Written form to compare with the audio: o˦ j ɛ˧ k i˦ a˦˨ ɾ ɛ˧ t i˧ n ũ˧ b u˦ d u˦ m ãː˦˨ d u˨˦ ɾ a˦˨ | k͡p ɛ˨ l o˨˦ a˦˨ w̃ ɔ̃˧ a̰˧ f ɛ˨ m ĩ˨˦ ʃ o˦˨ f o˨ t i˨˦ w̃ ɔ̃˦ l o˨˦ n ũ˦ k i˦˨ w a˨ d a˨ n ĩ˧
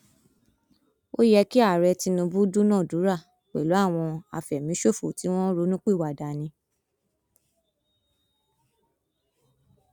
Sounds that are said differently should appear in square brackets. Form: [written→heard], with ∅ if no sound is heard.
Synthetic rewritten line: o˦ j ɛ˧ k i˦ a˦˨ ɾ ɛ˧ t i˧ n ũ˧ b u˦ d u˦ [m→n] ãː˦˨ d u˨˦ ɾ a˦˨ | k͡p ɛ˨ l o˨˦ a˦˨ w̃ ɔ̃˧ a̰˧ f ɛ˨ m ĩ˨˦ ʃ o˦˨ f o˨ t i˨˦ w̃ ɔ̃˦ [l→ɾ] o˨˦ n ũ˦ [k→k͡p] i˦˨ w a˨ d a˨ n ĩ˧